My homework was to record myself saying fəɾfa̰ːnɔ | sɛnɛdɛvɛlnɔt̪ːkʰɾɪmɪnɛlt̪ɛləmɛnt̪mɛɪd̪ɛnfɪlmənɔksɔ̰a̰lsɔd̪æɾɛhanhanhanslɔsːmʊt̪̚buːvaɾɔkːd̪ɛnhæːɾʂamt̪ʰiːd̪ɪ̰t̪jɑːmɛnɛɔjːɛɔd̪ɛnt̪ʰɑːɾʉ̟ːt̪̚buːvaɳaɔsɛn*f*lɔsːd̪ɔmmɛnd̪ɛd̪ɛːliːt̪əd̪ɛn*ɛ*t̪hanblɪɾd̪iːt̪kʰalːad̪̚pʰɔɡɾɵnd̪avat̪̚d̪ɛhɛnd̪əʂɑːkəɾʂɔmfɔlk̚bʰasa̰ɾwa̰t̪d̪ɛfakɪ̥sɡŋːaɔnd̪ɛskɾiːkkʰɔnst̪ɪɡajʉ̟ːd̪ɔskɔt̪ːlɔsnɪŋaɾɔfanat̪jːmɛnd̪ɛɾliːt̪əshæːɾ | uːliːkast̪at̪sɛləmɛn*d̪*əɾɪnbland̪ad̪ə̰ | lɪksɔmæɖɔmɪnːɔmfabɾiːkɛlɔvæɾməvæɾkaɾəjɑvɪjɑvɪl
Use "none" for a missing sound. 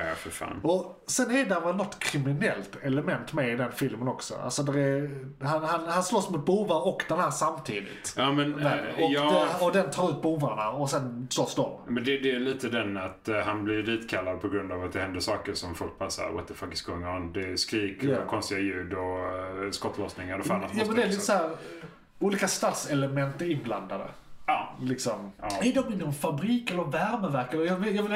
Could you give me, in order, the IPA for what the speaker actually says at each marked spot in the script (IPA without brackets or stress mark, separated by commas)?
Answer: s, a, t̪